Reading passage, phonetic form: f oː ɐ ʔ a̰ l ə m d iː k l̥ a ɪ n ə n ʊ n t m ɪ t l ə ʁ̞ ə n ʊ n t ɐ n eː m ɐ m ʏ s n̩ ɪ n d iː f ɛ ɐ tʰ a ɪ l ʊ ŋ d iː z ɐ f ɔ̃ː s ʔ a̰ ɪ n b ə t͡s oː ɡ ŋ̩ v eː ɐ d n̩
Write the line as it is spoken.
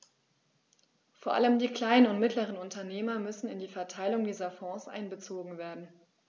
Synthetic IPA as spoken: f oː ɐ ʔ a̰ l ə m d iː k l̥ a ɪ n ə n ʊ n t m ɪ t l ə ʁ̞ ə n ʊ n t ɐ n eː m ɐ m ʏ s n̩ ɪ n d iː f ɛ ɐ tʰ a ɪ l ʊ ŋ d iː z ɐ f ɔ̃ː s ʔ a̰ ɪ n b ə t͡s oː ɡ ŋ̩ v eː ɐ d n̩